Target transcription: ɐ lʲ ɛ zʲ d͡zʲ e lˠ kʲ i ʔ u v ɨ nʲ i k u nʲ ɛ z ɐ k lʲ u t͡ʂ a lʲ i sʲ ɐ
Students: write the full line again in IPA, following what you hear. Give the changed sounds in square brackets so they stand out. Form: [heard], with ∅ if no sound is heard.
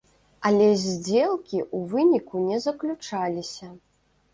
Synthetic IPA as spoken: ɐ lʲ ɛ zʲ d͡zʲ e lˠ kʲ i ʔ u v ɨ nʲ i k u nʲ ɛ z ɐ k lʲ u t͡ʂ a lʲ i sʲ ɐ